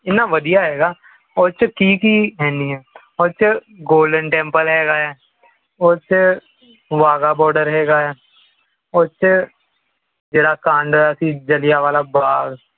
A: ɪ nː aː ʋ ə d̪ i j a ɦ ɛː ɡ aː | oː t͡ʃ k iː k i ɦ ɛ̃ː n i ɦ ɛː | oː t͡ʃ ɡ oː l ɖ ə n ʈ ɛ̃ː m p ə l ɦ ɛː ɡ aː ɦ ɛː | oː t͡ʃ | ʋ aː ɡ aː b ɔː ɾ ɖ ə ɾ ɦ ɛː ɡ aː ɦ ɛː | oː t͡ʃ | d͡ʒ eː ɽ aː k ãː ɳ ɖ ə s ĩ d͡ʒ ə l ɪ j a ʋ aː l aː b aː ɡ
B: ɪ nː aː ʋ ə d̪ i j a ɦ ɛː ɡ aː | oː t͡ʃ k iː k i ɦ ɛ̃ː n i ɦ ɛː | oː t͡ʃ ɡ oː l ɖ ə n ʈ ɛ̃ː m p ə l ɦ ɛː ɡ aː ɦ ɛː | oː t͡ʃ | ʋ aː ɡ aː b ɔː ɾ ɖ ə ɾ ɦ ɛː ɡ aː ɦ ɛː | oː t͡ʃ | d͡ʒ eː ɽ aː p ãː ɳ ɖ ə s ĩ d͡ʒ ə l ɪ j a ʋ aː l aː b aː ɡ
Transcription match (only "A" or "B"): A